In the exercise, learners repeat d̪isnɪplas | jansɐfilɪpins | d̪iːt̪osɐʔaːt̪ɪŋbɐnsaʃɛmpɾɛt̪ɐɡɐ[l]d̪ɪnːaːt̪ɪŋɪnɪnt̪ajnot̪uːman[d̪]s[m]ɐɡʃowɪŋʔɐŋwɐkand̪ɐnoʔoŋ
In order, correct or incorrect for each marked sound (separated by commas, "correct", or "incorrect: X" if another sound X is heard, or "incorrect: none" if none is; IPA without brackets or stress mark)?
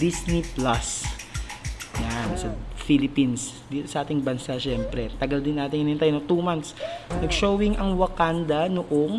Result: correct, incorrect: t̪, incorrect: n